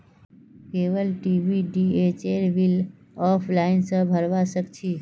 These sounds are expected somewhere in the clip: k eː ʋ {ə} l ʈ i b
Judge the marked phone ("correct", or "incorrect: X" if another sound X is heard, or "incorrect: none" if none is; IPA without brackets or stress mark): correct